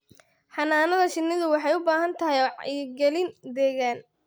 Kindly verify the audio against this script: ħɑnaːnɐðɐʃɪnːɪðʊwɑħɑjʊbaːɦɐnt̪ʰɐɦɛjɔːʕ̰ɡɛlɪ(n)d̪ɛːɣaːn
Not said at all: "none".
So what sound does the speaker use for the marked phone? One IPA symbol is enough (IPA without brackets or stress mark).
n